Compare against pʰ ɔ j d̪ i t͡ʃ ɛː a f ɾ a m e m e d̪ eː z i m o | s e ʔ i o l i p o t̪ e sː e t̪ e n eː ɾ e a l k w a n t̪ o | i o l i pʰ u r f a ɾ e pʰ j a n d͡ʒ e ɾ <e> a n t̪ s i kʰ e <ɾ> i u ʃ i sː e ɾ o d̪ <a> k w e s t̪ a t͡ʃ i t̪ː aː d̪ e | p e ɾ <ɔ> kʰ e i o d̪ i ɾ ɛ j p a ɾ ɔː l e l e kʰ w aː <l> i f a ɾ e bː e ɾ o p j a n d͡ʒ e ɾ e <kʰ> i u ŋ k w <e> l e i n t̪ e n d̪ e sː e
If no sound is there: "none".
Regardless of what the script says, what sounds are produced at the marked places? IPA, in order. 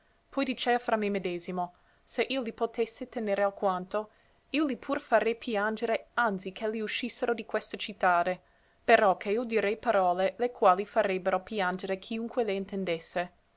e, l, i, ɔ, l, kʰ, e

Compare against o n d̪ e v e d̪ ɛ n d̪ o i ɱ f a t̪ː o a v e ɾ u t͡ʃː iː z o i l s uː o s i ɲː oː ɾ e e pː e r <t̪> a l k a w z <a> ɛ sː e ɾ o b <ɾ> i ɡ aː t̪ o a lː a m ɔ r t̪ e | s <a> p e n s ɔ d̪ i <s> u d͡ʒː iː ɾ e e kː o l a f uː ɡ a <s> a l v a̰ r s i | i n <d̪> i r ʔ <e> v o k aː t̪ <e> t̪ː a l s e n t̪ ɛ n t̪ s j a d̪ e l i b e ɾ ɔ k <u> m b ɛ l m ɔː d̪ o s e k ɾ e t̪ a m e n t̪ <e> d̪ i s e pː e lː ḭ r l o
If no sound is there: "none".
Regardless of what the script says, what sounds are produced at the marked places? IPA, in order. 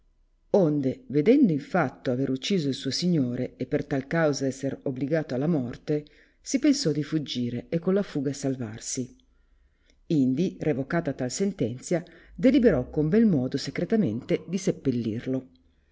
t̪, a, l, i, f, s, d̪, e, a, o, e

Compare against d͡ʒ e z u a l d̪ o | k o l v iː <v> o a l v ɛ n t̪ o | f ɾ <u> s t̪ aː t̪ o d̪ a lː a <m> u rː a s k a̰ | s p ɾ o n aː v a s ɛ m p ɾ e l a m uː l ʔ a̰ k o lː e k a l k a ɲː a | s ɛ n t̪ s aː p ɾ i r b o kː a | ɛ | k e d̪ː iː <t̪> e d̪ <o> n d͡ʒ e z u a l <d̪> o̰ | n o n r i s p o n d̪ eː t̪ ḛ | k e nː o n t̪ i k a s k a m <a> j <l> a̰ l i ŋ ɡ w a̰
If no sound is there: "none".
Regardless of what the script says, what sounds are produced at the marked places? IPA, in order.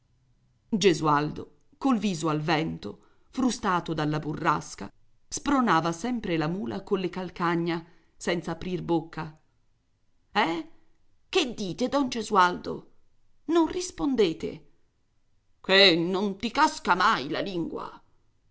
z, u, b, t̪, ɔ, d̪, a, l

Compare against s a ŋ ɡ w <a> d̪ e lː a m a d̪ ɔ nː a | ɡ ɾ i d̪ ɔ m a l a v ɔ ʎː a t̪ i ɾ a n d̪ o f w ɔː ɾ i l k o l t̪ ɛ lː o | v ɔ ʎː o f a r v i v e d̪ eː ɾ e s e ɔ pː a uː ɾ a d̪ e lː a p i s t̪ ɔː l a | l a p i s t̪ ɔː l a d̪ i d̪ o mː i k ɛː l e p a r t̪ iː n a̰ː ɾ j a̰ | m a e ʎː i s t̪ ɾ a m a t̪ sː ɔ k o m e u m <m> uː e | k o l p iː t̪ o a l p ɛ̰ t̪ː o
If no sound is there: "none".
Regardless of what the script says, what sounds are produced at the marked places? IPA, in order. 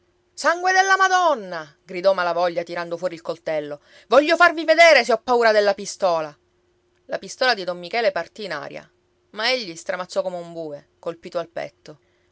e, b

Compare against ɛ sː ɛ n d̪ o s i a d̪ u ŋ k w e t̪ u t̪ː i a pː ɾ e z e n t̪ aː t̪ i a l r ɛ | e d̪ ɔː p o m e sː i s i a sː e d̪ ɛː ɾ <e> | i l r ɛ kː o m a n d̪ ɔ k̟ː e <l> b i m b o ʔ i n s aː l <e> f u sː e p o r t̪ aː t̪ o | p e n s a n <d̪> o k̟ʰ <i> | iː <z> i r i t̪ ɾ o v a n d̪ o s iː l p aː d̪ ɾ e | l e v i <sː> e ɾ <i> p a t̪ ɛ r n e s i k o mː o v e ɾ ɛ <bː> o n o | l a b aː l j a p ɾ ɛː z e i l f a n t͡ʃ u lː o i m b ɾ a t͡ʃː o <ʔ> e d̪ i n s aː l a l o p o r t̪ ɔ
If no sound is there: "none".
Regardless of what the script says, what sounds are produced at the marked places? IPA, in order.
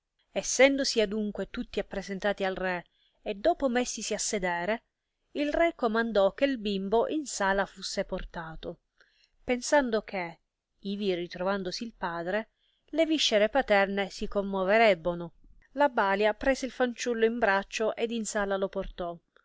e, l, a, d̪, e, v, ʃː, e, bː, ʔ

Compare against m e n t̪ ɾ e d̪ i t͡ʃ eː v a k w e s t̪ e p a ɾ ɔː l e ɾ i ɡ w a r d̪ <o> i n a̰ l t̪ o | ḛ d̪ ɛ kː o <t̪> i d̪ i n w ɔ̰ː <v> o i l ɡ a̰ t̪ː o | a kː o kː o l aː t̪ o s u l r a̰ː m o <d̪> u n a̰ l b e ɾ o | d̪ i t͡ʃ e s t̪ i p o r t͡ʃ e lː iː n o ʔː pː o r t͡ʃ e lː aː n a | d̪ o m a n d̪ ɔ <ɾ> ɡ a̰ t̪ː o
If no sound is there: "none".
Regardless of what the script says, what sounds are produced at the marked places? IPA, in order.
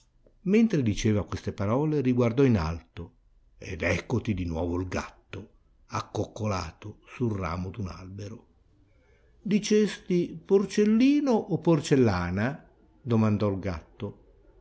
ɔ, t̪, v, d̪, l

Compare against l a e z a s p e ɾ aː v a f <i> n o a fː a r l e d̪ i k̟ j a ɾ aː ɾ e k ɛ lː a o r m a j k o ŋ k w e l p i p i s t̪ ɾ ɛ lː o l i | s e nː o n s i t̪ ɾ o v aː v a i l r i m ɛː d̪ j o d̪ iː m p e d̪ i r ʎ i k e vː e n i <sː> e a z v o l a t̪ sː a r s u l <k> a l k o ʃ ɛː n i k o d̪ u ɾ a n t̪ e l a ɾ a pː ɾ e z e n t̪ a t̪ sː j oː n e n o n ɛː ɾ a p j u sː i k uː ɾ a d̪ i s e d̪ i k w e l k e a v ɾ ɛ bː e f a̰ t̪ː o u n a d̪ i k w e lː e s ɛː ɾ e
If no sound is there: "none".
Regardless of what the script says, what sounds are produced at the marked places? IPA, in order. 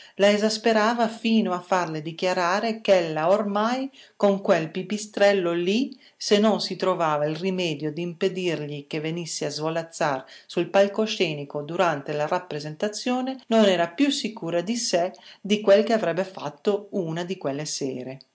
iː, sː, p

